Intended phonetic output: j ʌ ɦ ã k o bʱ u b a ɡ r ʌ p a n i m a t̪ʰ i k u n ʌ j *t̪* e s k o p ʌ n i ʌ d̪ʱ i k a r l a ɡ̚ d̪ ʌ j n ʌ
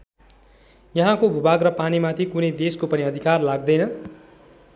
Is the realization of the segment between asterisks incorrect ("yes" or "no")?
yes